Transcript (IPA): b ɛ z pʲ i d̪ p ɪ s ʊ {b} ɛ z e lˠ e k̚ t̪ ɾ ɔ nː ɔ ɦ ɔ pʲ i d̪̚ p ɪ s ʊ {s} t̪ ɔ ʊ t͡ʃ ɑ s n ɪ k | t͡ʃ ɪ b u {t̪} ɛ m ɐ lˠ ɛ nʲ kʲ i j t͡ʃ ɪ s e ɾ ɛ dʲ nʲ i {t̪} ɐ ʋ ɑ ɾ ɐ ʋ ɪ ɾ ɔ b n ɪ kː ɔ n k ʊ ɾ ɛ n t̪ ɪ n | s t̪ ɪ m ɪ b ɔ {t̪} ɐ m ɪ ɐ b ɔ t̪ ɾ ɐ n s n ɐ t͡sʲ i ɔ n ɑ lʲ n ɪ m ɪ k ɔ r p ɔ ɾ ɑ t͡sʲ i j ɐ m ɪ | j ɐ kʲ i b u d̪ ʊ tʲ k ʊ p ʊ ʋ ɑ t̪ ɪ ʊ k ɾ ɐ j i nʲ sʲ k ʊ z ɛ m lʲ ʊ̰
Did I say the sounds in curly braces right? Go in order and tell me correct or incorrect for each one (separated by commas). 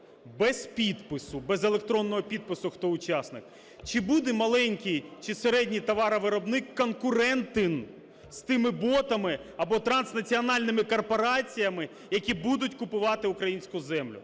correct, incorrect, incorrect, correct, correct